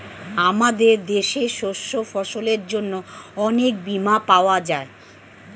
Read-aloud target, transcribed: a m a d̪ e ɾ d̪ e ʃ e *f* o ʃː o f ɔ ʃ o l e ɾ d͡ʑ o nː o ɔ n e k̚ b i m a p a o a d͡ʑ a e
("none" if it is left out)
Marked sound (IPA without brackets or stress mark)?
ʃ